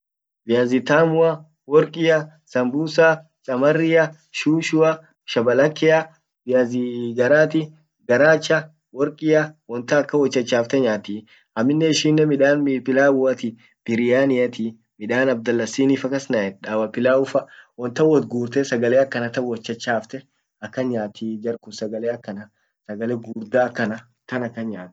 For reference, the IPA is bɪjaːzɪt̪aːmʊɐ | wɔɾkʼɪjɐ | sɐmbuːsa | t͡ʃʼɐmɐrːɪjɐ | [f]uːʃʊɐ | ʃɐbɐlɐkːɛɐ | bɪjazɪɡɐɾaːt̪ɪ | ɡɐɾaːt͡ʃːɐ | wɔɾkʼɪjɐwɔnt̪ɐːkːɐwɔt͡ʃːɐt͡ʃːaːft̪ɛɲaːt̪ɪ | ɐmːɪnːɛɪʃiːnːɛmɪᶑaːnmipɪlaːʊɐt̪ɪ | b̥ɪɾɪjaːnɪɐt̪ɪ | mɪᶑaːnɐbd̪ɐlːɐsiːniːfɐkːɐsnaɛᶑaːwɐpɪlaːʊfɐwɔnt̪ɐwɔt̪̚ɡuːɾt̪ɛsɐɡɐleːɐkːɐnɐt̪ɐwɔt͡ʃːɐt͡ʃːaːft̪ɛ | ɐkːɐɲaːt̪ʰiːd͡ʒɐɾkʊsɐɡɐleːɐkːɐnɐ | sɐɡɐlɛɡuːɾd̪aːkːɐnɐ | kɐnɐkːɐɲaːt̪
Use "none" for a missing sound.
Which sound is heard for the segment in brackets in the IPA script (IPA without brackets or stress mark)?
ʃ